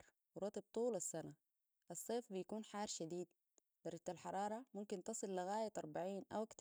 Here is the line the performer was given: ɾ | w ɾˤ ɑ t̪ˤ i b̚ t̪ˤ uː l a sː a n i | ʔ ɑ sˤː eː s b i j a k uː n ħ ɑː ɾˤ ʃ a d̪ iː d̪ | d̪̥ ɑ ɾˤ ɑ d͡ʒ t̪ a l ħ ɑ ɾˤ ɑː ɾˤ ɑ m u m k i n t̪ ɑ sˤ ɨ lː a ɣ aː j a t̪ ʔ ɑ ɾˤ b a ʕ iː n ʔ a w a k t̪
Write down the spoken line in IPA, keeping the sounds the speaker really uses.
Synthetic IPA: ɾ | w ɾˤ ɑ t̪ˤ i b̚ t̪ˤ uː l a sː a n a | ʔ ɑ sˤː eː f b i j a k uː n ħ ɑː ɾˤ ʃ a d̪ iː d̪ | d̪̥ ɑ ɾˤ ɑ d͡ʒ t̪ a l ħ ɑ ɾˤ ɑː ɾˤ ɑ m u m k i n t̪ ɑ sˤ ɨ lː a ɣ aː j a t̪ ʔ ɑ ɾˤ b a ʕ iː n ʔ a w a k t̪